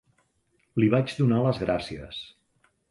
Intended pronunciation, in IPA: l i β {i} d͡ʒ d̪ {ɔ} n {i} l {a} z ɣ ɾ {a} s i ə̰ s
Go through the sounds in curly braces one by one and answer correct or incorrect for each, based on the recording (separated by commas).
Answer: incorrect, incorrect, incorrect, incorrect, correct